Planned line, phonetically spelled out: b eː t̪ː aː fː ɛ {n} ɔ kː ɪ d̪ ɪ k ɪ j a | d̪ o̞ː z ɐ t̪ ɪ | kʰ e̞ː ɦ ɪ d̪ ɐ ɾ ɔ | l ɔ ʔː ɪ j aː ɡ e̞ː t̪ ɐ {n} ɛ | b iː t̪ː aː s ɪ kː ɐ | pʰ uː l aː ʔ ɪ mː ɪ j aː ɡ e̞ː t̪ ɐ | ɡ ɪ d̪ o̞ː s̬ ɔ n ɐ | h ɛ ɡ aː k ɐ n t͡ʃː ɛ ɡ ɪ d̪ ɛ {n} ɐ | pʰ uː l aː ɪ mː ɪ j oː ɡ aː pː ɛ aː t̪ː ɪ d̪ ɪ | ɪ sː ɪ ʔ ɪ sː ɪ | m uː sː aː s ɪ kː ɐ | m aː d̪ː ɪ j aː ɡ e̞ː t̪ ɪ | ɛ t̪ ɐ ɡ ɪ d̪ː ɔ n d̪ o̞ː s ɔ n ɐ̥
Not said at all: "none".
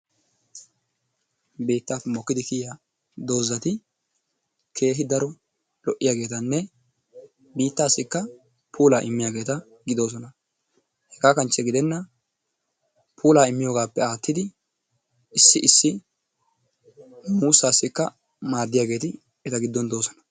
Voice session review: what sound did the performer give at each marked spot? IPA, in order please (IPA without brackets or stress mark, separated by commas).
m, nː, nː